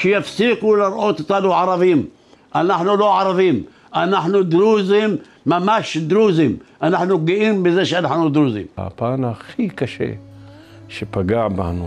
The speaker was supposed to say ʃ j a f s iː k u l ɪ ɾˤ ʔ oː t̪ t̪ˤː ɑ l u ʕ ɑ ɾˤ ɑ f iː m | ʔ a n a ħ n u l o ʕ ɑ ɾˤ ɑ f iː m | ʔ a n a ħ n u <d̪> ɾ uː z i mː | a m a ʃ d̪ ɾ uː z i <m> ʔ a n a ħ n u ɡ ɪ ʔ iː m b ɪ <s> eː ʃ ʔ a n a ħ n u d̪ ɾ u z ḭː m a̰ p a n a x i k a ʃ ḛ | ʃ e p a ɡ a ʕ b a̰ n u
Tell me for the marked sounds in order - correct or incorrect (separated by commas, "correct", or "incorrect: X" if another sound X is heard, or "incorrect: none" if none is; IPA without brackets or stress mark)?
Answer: correct, correct, incorrect: z